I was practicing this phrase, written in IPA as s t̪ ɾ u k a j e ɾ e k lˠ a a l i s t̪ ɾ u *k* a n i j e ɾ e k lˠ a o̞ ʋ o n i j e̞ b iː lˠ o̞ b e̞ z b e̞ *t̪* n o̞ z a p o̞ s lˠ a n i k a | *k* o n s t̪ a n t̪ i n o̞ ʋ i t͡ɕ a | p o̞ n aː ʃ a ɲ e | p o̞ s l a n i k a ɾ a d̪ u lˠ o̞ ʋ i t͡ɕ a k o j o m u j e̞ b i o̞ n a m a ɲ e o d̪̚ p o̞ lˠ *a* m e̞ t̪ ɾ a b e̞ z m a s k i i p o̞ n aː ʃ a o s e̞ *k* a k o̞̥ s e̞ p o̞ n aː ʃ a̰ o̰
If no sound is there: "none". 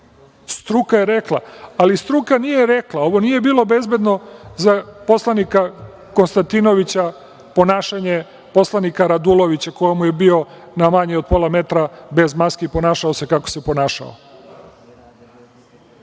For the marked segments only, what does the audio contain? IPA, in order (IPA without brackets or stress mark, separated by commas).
k, d̪, k, a, k